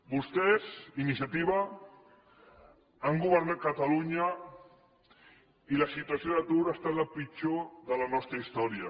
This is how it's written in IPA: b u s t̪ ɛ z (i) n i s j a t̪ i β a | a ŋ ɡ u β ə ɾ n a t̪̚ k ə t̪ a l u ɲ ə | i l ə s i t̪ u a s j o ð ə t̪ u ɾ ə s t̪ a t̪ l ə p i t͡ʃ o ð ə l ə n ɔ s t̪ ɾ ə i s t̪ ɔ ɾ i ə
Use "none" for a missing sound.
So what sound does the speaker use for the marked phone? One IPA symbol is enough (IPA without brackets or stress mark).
i